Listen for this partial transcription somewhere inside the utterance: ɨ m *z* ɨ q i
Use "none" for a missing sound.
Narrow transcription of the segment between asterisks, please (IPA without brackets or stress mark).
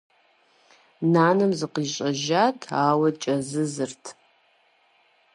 z